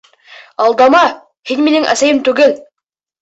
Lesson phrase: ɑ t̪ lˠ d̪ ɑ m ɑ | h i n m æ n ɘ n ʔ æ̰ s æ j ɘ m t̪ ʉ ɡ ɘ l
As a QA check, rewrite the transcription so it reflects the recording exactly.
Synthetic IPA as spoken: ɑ lˠ d̪ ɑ m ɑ | h i n m i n ɘ ŋ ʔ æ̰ s æ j ɘ m t̪ ʉ ɡ ɘ l